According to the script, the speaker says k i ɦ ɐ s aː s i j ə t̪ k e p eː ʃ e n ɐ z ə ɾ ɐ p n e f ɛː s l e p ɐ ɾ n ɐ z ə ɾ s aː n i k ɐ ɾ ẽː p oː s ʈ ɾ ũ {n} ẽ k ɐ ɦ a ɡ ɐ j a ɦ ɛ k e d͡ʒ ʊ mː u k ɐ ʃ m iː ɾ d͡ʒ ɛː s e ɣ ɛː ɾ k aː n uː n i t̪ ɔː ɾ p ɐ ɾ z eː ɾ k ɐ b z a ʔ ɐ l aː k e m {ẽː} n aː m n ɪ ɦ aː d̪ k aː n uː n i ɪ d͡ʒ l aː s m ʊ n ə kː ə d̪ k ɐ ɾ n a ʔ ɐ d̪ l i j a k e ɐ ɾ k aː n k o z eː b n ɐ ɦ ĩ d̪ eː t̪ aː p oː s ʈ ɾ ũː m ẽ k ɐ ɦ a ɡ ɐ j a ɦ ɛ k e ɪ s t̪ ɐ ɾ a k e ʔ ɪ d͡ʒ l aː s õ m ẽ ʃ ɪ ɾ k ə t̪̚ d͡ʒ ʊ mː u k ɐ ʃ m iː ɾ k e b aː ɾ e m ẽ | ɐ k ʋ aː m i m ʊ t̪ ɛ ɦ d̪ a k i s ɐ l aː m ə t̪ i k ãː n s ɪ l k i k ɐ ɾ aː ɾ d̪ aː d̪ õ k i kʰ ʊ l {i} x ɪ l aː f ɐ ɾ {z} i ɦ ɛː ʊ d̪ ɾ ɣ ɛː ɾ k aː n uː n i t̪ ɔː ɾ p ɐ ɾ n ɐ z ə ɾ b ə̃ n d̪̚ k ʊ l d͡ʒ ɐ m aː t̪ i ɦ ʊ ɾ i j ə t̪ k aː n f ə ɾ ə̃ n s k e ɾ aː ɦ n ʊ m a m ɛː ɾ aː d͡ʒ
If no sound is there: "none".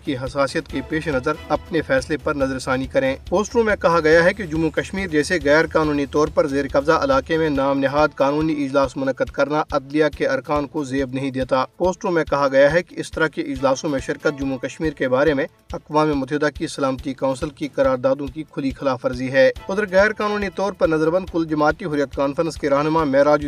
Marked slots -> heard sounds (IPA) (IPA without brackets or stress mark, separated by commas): m, ẽ, i, z